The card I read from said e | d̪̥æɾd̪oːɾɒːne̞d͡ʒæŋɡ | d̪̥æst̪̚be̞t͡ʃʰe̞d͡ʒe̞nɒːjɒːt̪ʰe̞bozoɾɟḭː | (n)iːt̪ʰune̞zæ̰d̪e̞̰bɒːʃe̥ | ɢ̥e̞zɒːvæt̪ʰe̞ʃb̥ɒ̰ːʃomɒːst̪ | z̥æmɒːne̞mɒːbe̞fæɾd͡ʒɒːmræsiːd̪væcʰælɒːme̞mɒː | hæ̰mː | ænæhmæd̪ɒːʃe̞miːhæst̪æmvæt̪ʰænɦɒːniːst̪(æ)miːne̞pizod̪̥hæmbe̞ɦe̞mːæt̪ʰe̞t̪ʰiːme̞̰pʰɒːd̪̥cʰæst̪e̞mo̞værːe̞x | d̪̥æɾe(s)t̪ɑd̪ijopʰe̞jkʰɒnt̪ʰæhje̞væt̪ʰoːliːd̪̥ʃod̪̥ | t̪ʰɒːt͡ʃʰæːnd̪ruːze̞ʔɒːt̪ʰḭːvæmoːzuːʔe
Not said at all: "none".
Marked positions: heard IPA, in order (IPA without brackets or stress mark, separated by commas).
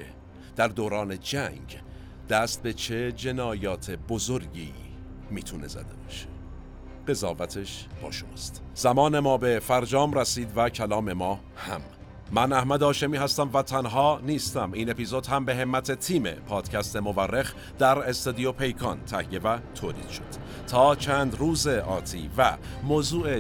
m, æ, s